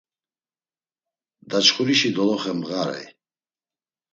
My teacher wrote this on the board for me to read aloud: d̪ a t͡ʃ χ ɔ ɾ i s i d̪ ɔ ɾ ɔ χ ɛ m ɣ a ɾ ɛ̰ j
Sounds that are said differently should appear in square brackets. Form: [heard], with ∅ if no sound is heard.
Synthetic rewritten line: d̪ a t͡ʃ χ [u] ɾ i [ʃ] i d̪ ɔ [l] ɔ χ ɛ m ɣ a ɾ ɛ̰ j